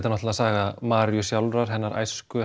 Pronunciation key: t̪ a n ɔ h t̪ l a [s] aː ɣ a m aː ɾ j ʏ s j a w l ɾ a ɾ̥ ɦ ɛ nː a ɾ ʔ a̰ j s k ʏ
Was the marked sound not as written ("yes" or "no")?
no